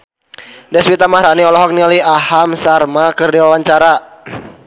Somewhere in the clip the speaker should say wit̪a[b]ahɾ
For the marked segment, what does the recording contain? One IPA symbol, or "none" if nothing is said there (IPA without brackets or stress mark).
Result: m